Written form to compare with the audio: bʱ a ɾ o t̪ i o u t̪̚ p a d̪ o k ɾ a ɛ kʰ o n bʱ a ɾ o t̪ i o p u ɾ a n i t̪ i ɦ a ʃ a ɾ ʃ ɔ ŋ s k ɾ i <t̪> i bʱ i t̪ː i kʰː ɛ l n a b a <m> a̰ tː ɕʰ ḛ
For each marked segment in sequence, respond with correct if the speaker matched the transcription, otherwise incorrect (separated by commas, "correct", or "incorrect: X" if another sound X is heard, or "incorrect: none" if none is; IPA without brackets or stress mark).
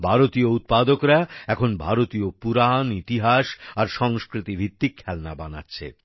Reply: correct, incorrect: n